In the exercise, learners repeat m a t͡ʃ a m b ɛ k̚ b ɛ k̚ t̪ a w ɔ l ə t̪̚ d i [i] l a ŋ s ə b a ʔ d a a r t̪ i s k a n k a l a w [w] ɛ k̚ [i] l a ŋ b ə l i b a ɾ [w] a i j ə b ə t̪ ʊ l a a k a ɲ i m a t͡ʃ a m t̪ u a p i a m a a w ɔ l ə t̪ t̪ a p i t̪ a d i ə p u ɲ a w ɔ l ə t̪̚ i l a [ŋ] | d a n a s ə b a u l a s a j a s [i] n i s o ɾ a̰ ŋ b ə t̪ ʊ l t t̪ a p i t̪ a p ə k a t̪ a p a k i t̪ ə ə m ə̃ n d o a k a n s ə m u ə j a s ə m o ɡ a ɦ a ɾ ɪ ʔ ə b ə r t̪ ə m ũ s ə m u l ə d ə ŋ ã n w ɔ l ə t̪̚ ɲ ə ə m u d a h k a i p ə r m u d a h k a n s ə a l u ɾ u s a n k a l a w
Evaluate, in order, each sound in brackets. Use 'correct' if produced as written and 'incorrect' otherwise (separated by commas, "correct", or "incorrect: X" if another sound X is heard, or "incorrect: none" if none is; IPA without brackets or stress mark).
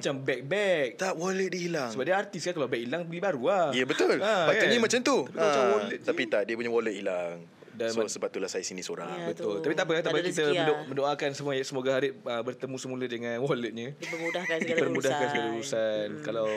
correct, incorrect: b, correct, incorrect: u, correct, correct